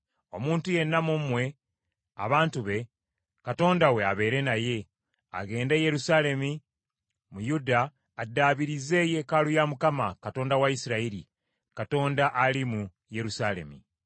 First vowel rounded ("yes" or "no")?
yes